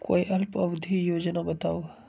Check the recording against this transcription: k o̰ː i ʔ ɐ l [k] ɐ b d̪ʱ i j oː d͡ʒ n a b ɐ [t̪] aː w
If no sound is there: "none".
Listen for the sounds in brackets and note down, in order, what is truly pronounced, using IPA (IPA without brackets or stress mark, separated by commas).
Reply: p, t̪